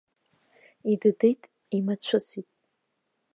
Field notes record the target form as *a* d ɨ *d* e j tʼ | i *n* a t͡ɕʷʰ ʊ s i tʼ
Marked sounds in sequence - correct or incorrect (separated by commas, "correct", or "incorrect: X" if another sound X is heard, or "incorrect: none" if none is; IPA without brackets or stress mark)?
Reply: incorrect: i, correct, incorrect: m